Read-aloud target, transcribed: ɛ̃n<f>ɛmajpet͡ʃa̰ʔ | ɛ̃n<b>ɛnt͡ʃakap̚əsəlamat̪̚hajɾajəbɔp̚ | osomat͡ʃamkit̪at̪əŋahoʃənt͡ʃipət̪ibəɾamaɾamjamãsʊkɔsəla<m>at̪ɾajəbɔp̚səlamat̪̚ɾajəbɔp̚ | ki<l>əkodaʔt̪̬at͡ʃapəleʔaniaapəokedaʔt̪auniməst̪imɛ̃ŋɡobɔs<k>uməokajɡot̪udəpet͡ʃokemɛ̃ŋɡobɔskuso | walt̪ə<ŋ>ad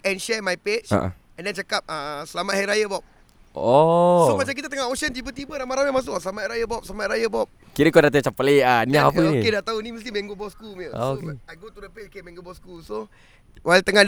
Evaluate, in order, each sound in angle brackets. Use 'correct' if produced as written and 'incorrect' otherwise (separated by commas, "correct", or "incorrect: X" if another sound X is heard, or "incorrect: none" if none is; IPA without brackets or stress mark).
incorrect: ʃ, incorrect: d, correct, incorrect: ɾ, correct, correct